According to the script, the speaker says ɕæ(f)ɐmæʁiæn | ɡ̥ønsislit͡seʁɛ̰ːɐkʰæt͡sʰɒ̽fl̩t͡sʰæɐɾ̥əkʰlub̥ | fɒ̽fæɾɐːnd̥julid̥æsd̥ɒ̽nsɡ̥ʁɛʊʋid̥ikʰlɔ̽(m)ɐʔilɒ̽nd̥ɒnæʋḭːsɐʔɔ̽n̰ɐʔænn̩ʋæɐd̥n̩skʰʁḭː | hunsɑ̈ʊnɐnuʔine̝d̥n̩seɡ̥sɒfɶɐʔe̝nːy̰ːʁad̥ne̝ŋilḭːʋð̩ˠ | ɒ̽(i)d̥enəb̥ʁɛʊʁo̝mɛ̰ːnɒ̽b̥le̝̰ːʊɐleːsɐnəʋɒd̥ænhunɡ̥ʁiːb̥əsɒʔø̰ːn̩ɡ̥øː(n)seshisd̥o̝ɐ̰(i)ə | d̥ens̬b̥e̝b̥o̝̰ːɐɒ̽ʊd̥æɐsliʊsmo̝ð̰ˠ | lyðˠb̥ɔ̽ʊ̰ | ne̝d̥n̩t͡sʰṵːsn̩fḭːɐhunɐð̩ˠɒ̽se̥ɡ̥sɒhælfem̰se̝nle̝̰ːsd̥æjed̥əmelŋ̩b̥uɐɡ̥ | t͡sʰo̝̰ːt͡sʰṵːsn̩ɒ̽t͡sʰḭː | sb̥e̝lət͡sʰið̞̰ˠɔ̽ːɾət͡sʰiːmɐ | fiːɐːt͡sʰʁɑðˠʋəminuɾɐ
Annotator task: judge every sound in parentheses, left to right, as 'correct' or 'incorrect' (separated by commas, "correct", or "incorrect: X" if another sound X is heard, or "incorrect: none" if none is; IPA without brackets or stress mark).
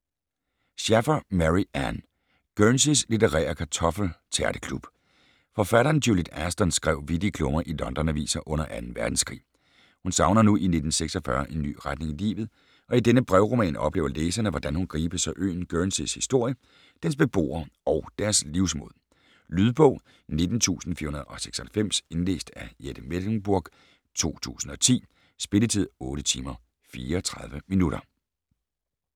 correct, correct, correct, correct, incorrect: j